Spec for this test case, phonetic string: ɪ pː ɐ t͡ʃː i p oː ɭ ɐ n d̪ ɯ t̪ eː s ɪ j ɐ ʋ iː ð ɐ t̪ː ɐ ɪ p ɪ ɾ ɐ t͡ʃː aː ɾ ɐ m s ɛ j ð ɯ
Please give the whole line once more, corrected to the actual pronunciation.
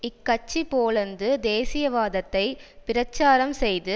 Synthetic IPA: ɪ kː ɐ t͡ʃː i p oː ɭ ɐ n d̪ ɯ d̪ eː s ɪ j ɐ ʋ aː ð ɐ t̪ː ɐ ɪ p ɪ ɾ ɐ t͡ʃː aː ɾ ɐ m s ɛ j ð ɯ